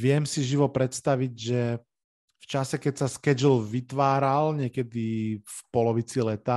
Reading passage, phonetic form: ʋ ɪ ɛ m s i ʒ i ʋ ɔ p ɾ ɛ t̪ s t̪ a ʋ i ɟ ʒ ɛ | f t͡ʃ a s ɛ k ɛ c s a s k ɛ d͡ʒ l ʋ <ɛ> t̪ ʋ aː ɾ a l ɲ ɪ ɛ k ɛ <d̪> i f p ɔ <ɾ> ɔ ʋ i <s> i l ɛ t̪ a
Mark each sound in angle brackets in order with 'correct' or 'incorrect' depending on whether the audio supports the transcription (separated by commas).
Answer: incorrect, correct, incorrect, incorrect